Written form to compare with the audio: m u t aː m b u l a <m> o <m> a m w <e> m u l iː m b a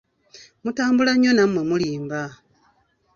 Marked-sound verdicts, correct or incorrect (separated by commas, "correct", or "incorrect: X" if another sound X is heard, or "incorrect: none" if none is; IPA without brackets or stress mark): incorrect: ɲ, incorrect: n, correct